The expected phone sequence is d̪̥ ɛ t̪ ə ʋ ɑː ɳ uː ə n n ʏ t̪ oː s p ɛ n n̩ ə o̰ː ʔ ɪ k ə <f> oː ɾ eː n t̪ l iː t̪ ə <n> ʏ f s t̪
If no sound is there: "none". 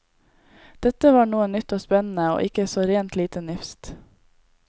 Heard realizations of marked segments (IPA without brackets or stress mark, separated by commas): s, n